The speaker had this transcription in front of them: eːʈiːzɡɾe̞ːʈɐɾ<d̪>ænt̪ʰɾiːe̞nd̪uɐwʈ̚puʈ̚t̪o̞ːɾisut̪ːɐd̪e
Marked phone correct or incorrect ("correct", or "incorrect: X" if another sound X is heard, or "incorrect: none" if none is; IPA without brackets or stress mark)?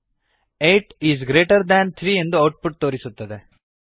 correct